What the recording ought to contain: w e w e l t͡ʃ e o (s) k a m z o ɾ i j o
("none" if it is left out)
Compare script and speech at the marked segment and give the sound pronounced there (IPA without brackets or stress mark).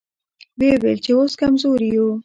s